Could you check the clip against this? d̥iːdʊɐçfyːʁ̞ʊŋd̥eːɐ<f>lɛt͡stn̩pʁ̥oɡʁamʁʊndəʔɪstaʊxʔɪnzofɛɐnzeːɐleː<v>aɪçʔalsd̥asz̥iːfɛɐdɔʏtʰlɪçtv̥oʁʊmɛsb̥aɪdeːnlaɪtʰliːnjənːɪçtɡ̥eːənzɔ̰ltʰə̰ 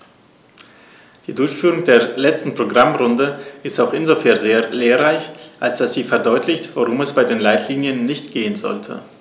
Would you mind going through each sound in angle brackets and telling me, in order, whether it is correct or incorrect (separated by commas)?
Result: incorrect, incorrect